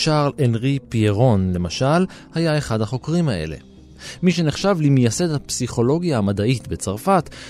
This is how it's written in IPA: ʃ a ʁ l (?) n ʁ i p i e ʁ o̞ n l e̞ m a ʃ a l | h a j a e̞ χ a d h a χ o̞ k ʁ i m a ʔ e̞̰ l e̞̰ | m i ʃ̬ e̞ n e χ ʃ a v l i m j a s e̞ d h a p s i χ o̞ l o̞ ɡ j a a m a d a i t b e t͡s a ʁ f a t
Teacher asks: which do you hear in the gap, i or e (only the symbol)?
e